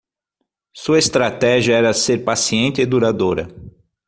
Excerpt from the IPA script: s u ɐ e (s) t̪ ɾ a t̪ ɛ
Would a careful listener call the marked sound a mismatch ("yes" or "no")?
no